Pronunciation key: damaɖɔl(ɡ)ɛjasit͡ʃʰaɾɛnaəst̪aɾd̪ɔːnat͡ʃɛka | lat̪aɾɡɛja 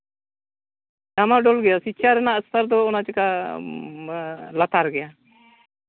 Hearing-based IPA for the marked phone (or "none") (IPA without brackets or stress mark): ɡ